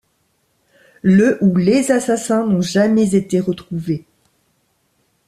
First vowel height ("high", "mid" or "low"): mid